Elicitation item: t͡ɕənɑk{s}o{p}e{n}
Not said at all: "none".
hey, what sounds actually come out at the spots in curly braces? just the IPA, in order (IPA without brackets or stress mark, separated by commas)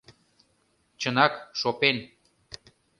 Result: ʃ, p, n